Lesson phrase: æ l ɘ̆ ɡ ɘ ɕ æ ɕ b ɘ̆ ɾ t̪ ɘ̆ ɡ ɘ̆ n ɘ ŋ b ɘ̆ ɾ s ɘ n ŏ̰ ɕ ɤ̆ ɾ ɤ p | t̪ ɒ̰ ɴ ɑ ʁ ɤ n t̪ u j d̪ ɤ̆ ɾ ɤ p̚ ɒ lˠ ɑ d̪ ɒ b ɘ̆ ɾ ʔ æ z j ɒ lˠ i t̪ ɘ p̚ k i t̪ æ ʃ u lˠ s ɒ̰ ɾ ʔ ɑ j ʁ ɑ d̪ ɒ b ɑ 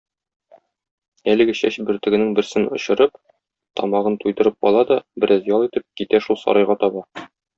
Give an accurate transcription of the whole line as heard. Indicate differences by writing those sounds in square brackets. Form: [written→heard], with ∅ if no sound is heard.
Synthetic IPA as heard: æ l ɘ̆ ɡ ɘ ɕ æ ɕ b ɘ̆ ɾ t̪ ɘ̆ ɡ ɘ̆ n ɘ ŋ b ɘ̆ ɾ s ɘ n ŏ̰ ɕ ɤ̆ ɾ ɤ p | t̪ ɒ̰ [ɴ→m] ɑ ʁ ɤ n t̪ u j d̪ ɤ̆ ɾ ɤ p̚ ɒ lˠ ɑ d̪ ɒ b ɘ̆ ɾ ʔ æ z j ɒ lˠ i t̪ ɘ p̚ k i t̪ æ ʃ u lˠ s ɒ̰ ɾ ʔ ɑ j ʁ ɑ [d̪→t̪] ɒ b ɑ